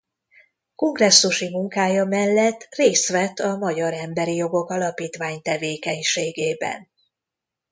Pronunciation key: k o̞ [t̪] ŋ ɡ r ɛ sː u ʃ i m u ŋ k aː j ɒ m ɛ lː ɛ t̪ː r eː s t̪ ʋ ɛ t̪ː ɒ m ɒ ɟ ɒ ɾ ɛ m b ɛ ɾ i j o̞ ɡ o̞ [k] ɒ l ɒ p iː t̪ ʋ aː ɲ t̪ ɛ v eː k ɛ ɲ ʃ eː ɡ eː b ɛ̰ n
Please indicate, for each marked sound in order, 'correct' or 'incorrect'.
incorrect: none, correct

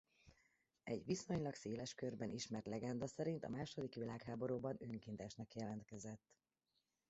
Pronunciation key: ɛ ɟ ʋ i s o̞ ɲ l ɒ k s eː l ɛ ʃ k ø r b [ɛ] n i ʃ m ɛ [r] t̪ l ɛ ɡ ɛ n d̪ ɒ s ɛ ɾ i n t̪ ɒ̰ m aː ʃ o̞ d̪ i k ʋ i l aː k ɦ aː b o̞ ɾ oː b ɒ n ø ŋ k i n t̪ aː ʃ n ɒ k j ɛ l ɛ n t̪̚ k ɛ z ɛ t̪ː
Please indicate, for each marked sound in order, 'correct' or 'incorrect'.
correct, correct

